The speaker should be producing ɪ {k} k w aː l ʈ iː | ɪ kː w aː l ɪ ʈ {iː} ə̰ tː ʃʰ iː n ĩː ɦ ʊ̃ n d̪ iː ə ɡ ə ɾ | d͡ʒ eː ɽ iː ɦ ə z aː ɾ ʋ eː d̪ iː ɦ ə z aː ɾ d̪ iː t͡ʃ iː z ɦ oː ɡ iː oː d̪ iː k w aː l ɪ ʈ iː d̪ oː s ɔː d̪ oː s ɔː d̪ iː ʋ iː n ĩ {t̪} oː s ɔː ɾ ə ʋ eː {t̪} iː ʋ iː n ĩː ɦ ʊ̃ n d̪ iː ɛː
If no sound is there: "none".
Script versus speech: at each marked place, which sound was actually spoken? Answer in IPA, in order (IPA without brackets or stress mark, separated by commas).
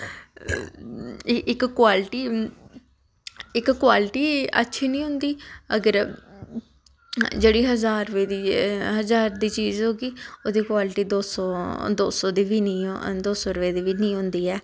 k, iː, d̪, d̪